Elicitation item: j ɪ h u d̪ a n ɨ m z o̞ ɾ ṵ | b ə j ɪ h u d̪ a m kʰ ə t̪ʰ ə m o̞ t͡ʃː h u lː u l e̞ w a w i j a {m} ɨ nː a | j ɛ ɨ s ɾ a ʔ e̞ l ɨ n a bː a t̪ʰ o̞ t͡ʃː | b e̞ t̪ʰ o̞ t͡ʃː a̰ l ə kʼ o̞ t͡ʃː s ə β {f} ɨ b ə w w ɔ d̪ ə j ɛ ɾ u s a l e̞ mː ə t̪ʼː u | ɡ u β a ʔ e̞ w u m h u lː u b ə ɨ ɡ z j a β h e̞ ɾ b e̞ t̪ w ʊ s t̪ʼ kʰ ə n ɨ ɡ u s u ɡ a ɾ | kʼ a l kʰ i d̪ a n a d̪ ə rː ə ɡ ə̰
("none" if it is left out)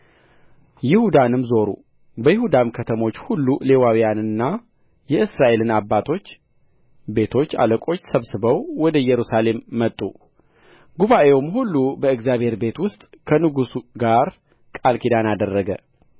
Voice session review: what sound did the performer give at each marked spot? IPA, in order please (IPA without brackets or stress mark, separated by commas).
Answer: n, s